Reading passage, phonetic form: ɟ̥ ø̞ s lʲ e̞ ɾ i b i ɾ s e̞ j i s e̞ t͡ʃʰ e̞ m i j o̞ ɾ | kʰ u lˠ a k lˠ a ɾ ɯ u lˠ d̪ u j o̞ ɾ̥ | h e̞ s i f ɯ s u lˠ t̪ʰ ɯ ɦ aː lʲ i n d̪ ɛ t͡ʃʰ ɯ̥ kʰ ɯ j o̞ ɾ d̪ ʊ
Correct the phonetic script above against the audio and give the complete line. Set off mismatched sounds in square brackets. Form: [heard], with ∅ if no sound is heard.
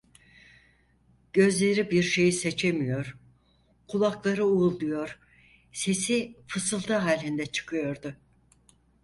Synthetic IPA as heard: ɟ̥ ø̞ [z] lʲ e̞ ɾ i b i ɾ [ʃ] e̞ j i s e̞ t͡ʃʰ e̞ m i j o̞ ɾ | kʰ u lˠ a k lˠ a ɾ ɯ u lˠ d̪ u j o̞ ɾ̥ | [s] e̞ s i f ɯ s [ɯ] lˠ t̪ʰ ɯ ɦ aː lʲ i n d̪ ɛ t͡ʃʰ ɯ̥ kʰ ɯ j o̞ ɾ d̪ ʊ